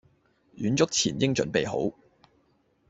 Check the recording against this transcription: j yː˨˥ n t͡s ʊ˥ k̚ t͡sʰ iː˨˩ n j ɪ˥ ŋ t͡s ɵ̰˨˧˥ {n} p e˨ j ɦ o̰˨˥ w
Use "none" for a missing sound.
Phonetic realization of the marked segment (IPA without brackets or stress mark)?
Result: n